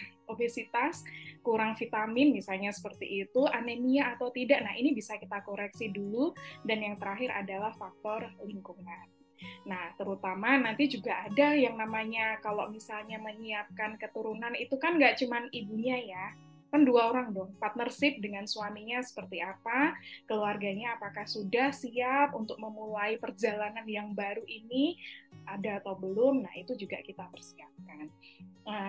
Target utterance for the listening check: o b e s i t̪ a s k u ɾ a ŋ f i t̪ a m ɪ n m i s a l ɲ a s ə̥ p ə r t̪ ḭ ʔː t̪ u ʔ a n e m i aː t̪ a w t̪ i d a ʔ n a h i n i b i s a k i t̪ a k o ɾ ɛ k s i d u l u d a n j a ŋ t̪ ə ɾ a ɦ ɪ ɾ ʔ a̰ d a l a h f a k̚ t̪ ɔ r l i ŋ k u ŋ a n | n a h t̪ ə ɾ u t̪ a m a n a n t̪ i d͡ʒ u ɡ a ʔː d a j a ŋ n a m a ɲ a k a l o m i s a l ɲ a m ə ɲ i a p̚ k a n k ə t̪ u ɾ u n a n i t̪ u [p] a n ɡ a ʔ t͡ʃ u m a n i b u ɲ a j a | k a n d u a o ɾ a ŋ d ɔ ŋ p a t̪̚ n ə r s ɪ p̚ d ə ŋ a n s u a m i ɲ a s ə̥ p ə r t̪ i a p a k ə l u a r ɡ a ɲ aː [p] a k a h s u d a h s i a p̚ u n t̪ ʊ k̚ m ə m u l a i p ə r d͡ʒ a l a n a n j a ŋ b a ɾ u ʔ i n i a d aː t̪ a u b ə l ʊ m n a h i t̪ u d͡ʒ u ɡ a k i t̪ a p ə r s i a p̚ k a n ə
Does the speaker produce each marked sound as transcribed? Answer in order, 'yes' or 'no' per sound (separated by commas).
no, yes